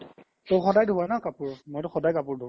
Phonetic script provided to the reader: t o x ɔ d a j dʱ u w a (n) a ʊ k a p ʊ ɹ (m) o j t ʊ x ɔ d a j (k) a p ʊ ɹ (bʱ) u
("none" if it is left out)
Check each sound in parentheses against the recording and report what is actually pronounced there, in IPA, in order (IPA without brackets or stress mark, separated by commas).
n, m, k, dʱ